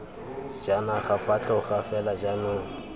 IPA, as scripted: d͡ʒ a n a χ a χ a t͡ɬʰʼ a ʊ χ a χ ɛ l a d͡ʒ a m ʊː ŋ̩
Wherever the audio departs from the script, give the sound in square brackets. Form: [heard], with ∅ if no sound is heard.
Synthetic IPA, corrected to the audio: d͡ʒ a n a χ a [f] a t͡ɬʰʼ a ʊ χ a [f] ɛ l a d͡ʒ a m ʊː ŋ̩